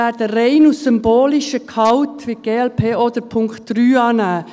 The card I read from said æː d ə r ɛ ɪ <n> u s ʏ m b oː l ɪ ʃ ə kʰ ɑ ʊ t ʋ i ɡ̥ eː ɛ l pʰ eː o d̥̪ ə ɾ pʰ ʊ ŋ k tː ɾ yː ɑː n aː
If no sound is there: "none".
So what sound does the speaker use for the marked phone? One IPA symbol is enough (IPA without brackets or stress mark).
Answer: n